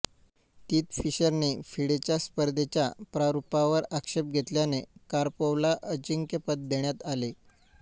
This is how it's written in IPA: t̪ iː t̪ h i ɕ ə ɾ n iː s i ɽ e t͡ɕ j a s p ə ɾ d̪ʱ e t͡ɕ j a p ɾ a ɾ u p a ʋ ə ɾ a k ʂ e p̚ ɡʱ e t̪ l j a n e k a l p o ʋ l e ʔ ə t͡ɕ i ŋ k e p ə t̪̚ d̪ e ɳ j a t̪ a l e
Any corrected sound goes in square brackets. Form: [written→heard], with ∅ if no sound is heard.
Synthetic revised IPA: t̪ iː t̪ [h→f] i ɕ ə ɾ n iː [s→f] i ɽ e t͡ɕ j a s p ə ɾ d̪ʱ e t͡ɕ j a p ɾ a ɾ u p a ʋ ə ɾ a k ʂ e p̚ ɡʱ e t̪ l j a n e k a [l→ɾ] p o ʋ l [e→a] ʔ ə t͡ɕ i ŋ k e p ə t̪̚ d̪ e ɳ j a t̪ a l e